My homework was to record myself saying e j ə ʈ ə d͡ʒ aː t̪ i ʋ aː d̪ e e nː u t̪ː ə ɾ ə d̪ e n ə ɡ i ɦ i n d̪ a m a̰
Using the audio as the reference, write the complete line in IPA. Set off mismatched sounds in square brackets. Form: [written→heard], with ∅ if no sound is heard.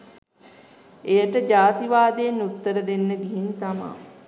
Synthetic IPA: e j ə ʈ ə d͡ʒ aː t̪ i ʋ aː d̪ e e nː u t̪ː ə ɾ ə d̪ e [n→nː] ə ɡ i ɦ i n [d̪→t̪] a m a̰